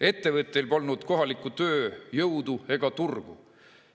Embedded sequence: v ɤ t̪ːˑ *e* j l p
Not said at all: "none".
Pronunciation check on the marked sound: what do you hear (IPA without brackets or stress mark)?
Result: e